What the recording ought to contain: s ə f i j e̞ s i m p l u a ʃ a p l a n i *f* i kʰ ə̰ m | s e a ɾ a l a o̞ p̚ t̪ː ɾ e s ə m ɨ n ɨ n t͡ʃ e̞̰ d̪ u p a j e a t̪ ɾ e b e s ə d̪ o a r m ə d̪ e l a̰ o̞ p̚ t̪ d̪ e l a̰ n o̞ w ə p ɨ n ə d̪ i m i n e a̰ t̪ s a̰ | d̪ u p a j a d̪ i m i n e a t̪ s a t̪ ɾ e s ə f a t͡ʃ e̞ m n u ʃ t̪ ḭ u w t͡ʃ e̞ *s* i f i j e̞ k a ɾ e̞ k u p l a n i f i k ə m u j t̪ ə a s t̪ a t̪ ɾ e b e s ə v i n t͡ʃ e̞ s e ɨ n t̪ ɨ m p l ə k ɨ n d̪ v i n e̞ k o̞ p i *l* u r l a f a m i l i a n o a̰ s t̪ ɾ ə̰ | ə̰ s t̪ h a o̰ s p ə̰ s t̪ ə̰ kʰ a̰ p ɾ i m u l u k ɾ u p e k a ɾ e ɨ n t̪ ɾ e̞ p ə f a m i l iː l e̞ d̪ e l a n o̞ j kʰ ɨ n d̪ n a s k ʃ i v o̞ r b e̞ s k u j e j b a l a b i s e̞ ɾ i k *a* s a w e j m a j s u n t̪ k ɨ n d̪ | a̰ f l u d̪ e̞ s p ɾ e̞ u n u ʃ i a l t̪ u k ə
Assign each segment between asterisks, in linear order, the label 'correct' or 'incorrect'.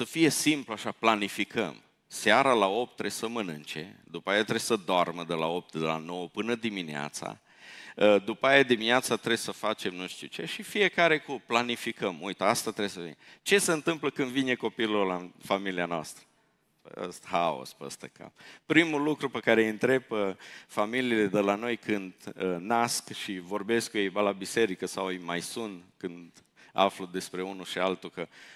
correct, incorrect, correct, incorrect

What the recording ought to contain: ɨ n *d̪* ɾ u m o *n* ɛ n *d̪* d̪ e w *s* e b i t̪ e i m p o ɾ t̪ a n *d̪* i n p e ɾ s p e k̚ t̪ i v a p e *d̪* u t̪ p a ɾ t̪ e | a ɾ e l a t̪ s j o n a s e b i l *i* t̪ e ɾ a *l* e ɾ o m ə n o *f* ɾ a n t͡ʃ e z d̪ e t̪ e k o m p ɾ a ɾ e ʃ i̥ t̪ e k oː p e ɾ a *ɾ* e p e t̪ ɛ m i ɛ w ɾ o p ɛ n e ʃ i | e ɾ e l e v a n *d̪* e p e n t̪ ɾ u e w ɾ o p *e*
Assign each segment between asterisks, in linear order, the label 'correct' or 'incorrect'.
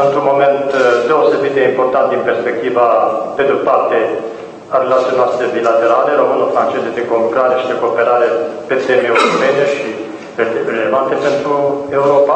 incorrect, incorrect, incorrect, correct, incorrect, correct, incorrect, correct, correct, correct, incorrect, incorrect

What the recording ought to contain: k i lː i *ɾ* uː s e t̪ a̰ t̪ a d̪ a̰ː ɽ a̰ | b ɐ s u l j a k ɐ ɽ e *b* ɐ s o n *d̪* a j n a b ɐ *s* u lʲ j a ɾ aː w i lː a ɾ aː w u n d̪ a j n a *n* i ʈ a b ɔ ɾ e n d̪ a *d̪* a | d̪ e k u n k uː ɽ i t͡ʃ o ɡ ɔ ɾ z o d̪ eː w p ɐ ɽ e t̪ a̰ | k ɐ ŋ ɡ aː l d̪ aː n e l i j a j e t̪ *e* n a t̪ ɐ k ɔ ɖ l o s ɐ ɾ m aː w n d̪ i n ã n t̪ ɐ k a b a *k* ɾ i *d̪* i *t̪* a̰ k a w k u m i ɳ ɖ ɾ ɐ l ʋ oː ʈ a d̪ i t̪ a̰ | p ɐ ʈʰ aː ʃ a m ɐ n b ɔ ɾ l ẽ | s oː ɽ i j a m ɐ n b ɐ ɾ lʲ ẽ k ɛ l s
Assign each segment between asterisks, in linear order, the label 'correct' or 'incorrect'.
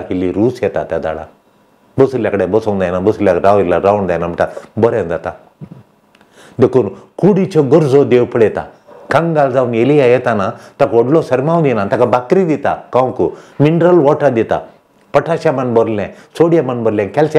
correct, correct, correct, correct, incorrect, incorrect, incorrect, correct, correct, correct

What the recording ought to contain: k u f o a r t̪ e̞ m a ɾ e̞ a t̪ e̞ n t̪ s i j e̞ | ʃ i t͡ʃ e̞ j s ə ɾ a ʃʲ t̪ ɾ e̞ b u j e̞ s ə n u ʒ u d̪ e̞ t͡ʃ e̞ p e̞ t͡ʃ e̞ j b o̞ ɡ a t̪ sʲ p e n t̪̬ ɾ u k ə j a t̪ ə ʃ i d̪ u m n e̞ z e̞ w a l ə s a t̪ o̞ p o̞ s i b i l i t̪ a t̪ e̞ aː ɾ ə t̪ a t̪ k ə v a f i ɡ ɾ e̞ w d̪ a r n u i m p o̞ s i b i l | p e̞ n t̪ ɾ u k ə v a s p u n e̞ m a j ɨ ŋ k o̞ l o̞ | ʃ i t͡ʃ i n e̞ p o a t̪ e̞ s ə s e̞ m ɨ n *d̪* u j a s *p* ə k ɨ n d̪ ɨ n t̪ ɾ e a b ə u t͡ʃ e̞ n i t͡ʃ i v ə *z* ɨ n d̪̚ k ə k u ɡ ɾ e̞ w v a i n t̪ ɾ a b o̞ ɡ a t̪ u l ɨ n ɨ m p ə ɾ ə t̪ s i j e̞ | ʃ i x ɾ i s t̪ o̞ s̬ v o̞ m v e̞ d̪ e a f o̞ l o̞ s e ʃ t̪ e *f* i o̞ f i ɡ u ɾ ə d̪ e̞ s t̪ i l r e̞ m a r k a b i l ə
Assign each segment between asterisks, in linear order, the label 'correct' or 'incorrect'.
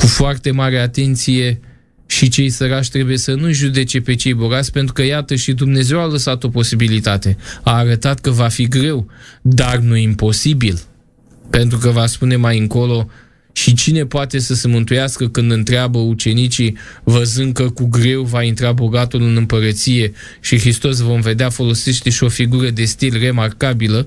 incorrect, incorrect, correct, incorrect

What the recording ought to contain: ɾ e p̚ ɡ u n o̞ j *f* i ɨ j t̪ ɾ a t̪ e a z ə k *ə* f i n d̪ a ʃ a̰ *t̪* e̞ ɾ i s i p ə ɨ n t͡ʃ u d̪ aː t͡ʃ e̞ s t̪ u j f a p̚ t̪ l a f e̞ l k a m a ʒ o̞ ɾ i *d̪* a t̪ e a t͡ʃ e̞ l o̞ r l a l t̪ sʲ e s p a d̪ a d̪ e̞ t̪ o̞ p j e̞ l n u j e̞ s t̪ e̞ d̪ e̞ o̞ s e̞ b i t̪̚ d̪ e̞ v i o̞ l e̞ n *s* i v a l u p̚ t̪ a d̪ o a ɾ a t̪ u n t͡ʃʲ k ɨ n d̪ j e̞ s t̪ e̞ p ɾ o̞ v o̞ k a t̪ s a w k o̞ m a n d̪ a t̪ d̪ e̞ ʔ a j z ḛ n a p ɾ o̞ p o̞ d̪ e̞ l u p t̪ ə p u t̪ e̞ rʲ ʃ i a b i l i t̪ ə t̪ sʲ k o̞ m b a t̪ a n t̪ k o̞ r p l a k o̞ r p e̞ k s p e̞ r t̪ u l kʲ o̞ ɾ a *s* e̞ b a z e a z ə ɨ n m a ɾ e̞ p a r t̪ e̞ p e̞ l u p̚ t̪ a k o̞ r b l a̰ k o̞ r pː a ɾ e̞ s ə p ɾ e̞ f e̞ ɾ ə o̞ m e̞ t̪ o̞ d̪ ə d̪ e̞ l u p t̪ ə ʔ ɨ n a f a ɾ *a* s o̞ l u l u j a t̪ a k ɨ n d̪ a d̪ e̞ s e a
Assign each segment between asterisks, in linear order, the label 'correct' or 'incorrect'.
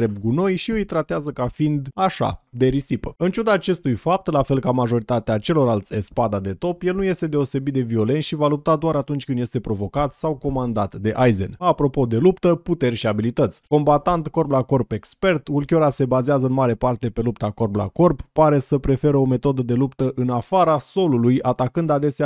incorrect, incorrect, incorrect, incorrect, incorrect, correct, correct

